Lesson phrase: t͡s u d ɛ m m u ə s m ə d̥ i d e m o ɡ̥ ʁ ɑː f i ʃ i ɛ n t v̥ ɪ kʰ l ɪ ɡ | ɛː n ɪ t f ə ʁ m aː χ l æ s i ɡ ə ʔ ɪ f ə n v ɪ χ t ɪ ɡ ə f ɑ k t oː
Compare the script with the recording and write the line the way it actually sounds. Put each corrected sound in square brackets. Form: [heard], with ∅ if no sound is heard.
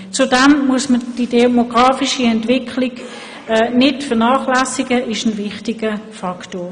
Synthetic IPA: t͡s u d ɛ m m u ə s m ə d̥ i d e m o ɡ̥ ʁ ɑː f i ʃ i ɛ n t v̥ ɪ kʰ l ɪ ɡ | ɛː n ɪ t f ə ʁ [n] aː χ l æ s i ɡ ə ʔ ɪ [ʃ] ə n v ɪ χ t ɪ ɡ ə f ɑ k t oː

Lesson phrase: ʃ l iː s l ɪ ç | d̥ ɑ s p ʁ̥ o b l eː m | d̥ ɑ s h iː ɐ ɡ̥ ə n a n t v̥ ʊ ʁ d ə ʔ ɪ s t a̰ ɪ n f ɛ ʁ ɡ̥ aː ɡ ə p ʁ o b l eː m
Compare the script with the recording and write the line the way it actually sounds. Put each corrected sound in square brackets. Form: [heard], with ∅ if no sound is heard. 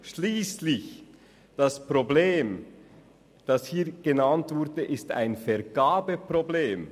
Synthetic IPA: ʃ l iː s l ɪ ç | d̥ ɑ s p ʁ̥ o b l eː m | d̥ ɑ s h iː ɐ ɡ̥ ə n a n t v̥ ʊ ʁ d ə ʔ ɪ s t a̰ ɪ n f ɛ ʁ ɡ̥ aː [b] ə p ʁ o b l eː m

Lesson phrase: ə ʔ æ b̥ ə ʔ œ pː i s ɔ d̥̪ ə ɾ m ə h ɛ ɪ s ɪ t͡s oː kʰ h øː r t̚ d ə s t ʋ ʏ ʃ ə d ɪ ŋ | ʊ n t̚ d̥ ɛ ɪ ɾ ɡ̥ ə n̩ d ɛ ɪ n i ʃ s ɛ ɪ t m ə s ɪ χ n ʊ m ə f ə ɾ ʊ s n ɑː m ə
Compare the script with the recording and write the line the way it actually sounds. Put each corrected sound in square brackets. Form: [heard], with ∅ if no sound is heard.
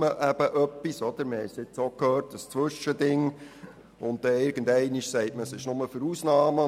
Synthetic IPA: ə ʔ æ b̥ ə ʔ œ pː i s ɔ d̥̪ ə ɾ m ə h ɛ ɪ s ɪ t͡s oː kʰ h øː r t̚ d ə s [t͡s] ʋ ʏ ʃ ə d ɪ ŋ | ʊ n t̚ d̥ ɛ ɪ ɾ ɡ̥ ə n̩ d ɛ ɪ n i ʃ s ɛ ɪ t m ə s ɪ [ʃ] n ʊ m ə f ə ɾ [u] s n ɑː m ə

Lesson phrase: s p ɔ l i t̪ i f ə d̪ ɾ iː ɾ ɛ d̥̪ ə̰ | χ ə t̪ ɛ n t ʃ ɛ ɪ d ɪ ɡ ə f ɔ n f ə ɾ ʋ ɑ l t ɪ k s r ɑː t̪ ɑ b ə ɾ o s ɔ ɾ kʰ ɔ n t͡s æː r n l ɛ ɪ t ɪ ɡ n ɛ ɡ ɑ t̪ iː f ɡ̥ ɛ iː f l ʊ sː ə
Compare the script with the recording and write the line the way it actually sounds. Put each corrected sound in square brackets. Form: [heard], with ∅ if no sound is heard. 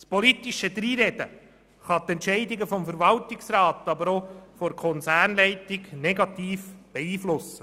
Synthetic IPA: s p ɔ l i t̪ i [ʃ] ə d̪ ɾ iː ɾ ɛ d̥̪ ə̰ | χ [ɑ] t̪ ɛ n t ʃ ɛ ɪ d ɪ ɡ ə f ɔ [m] f ə ɾ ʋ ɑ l t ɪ k s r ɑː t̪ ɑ b ə ɾ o [f] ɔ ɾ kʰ ɔ n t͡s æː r n l ɛ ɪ t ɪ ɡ n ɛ ɡ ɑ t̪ iː f [b̥] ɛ iː f l ʊ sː ə

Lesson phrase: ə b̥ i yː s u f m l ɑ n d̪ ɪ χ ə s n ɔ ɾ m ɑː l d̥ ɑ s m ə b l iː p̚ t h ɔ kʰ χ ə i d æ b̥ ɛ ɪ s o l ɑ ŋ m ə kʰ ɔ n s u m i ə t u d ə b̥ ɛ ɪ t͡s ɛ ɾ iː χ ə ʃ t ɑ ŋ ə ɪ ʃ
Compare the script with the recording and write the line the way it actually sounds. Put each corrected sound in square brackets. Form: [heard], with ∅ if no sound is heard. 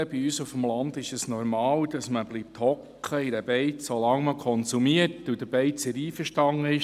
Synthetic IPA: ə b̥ i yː s u f m l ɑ n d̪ ɪ [ʃ] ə s n ɔ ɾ m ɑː l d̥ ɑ s m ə b l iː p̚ t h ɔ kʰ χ ə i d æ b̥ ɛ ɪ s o l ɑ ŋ m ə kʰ ɔ n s u m i ə t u d ə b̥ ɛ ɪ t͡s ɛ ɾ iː [f] ə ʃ t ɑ ŋ ə ɪ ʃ

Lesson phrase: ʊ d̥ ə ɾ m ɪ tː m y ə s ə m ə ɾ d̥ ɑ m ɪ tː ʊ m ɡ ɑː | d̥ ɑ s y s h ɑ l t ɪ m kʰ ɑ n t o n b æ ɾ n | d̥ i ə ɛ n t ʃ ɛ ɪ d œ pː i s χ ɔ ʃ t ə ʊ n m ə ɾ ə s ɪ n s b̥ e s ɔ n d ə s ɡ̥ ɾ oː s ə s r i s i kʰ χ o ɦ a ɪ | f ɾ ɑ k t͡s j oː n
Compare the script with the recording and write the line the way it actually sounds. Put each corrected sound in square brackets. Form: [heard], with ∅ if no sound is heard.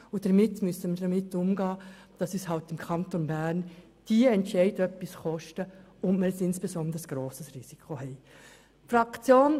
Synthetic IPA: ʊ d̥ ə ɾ m ɪ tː m y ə s ə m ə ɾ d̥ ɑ m ɪ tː ʊ m ɡ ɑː | d̥ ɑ s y s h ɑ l t ɪ m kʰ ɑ n t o n b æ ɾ n | d̥ i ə ɛ n t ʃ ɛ ɪ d œ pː i s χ ɔ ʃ t ə ʊ n m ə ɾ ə s ɪ n s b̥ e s ɔ n d ə s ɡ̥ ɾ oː s ə s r i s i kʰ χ o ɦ [ɛ] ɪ | f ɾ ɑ k t͡s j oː n

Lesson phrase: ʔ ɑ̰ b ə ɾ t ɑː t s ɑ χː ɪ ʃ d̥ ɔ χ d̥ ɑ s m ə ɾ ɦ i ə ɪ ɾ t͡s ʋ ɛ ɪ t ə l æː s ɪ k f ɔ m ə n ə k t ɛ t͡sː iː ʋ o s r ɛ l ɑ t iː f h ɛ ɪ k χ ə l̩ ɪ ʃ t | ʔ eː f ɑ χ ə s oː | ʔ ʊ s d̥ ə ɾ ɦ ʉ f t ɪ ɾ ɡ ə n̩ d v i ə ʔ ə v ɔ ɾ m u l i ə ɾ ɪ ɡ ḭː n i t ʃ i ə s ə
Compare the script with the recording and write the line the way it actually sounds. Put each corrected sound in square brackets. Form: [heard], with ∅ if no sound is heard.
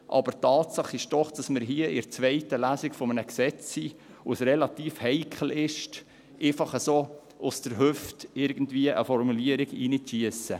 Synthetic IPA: ʔ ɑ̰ b ə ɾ t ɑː t s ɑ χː ɪ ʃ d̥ ɔ χ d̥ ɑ s m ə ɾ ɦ i ə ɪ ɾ t͡s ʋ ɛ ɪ t ə l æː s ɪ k f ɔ m ə n ə k [s] ɛ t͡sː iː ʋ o s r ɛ l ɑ t iː f h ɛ ɪ k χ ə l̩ ɪ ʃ t | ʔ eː f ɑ χ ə s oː | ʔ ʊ s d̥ ə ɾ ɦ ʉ f t ɪ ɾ ɡ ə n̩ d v i ə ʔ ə [f] ɔ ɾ m u l i ə ɾ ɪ ɡ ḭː n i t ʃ i ə s ə

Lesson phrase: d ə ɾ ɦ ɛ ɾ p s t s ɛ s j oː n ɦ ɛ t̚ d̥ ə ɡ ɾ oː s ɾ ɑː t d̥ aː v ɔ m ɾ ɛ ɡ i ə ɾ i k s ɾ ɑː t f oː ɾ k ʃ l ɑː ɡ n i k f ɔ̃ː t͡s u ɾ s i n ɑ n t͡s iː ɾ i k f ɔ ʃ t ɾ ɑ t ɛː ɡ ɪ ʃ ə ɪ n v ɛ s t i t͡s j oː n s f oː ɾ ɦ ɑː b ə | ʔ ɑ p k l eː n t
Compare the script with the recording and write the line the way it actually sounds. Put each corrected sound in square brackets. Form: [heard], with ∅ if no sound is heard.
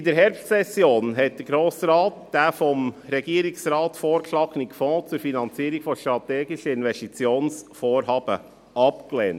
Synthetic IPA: d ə ɾ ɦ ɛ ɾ p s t s ɛ s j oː n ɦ ɛ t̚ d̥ ə ɡ ɾ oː s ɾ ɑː t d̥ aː [f] ɔ m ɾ ɛ ɡ i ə ɾ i k s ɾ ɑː t f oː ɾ k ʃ l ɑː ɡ n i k f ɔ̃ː t͡s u ɾ [f] i n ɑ n t͡s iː ɾ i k f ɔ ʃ t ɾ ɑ t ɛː ɡ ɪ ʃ ə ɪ n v ɛ s t i t͡s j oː n s f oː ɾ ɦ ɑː b ə | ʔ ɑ p k l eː n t

